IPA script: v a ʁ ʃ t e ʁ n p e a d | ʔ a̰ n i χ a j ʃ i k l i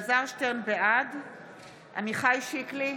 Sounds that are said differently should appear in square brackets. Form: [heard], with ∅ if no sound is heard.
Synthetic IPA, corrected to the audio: [z] a ʁ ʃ t e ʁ n [b] e a d | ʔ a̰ [m] i χ a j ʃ i k l i